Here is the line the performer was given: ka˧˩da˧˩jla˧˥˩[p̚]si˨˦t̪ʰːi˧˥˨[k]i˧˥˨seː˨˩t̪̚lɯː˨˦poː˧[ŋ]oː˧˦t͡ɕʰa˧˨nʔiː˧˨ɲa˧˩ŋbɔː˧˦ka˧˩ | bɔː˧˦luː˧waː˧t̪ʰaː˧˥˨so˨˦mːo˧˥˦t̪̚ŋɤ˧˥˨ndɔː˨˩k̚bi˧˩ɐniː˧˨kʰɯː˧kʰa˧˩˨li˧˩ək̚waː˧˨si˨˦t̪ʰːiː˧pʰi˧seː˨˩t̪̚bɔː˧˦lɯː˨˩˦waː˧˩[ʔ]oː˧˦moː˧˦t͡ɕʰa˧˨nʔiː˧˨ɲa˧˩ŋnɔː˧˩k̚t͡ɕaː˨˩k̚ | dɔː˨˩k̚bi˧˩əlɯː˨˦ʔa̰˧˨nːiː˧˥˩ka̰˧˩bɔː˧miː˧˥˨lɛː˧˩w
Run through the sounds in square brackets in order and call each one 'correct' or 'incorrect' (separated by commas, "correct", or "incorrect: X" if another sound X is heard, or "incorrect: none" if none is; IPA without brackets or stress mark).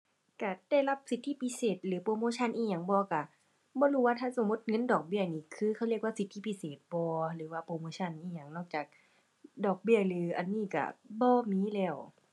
correct, incorrect: p, incorrect: m, incorrect: p